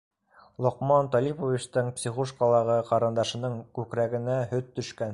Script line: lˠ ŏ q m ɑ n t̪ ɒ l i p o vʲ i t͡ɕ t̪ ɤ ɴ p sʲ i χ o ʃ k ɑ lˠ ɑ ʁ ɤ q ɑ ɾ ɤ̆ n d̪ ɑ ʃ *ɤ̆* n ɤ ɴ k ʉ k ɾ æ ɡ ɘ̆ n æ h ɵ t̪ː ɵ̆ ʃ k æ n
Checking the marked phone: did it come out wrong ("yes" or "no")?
no